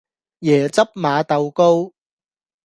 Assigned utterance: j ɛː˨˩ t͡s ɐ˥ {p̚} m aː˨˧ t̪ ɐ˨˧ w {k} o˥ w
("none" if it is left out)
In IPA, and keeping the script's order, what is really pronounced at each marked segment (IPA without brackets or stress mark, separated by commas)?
p̚, k